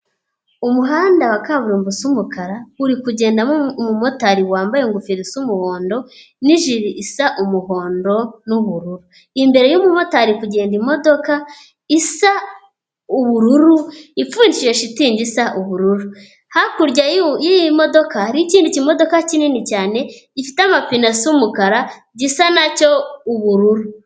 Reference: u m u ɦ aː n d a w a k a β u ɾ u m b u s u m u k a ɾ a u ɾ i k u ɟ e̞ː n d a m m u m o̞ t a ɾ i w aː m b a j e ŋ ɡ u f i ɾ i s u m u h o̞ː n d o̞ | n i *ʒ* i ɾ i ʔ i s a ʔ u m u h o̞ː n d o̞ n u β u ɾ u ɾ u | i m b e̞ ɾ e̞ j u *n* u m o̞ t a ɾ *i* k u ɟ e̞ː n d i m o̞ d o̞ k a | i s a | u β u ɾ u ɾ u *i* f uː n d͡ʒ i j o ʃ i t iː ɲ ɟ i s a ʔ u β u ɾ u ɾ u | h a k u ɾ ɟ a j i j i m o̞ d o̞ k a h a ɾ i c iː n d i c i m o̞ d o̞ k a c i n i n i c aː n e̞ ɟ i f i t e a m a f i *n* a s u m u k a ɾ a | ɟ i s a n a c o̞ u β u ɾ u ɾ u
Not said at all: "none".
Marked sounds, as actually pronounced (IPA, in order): ʒ, m, i, i, n

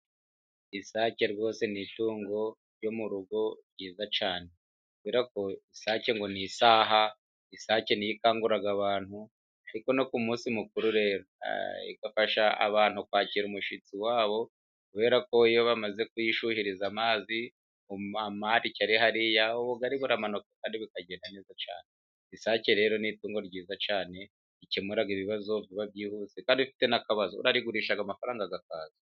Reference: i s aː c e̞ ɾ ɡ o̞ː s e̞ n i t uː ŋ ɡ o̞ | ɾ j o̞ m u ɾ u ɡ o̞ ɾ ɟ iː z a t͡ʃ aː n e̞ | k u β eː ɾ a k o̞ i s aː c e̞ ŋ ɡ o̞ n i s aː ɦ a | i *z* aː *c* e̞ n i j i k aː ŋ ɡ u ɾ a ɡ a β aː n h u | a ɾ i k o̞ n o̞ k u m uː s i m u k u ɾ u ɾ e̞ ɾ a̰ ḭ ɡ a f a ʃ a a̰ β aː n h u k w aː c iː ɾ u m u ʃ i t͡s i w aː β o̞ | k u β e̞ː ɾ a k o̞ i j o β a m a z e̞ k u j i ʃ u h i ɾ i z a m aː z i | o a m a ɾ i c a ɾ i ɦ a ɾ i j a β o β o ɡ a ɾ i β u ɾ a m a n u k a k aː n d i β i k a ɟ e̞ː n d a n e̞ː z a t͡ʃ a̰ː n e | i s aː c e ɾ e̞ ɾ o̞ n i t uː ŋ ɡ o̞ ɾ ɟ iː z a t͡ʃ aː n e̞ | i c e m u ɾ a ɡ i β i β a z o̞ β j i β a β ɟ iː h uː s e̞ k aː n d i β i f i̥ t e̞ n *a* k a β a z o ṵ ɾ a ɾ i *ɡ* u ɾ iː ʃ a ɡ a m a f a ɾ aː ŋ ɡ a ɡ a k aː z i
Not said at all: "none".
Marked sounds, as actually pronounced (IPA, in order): s, c, a, ɡ

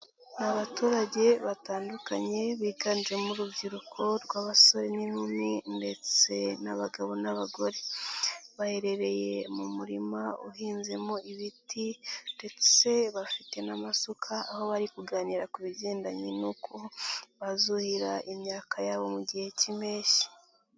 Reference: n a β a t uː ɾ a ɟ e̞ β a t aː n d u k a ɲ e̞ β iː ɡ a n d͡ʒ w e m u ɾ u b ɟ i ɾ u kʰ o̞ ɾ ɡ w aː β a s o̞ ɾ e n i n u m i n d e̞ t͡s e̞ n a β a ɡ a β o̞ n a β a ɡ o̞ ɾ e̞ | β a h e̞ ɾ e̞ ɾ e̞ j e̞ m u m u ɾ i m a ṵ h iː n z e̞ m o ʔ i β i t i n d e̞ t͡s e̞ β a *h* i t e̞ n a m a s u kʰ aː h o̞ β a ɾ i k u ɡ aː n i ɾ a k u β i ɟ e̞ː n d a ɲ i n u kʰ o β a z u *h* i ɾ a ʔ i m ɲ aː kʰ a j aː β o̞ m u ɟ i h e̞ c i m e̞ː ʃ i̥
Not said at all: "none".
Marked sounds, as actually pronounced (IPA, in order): f, h

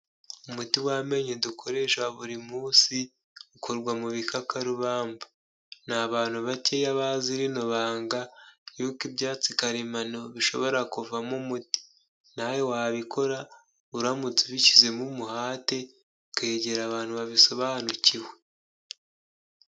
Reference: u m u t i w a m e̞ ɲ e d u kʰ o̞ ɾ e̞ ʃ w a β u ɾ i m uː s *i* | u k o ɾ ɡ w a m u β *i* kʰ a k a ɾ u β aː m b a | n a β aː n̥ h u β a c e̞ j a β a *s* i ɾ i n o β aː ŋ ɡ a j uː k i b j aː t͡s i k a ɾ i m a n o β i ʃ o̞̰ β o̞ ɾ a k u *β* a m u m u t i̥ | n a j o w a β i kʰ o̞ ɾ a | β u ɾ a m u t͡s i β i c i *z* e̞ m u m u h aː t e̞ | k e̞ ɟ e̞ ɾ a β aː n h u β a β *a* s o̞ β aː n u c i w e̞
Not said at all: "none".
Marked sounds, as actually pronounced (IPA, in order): i, i, z, v, z, i

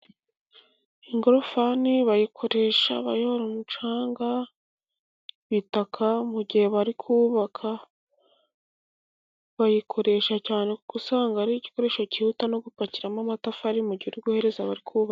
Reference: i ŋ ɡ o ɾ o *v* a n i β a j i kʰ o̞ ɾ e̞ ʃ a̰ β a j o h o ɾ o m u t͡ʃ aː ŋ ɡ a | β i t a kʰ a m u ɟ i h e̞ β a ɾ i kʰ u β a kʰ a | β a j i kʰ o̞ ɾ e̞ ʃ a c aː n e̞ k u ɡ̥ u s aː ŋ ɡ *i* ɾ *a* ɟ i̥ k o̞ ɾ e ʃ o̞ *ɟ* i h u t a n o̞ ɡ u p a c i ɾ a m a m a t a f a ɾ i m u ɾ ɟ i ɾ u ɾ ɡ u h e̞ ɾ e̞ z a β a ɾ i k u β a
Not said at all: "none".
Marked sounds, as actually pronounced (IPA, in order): f, a, i, c

